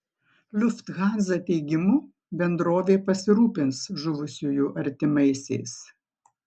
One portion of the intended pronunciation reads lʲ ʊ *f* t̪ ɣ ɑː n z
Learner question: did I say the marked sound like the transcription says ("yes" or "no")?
yes